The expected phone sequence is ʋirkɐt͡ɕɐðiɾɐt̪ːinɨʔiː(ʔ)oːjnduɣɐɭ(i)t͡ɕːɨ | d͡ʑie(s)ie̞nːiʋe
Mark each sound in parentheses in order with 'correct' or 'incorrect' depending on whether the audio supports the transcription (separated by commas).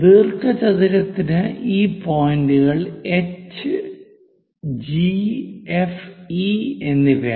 incorrect, incorrect, incorrect